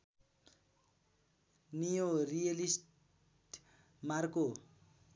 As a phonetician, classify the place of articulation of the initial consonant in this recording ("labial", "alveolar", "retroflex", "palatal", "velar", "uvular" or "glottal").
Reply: alveolar